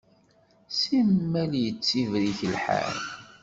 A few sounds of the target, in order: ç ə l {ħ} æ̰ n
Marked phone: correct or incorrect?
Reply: correct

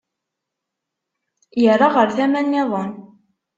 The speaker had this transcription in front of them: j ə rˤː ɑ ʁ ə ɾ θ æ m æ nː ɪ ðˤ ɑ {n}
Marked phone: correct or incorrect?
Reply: correct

